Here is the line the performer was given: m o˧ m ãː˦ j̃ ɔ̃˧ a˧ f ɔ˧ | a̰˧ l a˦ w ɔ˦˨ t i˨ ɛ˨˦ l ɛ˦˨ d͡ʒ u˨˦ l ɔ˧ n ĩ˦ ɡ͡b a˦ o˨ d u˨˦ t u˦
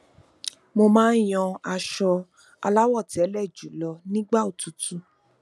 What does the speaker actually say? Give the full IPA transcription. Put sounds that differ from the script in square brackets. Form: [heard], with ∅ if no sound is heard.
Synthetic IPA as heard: m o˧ m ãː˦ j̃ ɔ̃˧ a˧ [ʃ] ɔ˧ | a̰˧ l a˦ w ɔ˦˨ t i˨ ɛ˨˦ l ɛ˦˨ d͡ʒ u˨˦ l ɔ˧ n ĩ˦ ɡ͡b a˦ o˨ [t] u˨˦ t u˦